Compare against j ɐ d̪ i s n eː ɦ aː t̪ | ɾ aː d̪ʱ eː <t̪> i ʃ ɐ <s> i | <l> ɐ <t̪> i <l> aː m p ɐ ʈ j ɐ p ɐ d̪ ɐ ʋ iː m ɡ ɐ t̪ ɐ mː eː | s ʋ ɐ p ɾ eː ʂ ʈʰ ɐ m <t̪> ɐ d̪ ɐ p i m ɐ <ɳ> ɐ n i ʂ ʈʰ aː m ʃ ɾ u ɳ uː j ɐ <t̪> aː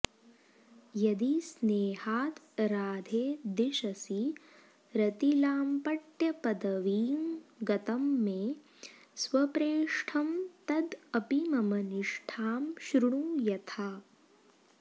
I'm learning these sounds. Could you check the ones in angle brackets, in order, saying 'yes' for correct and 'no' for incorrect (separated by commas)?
no, yes, no, yes, yes, yes, no, no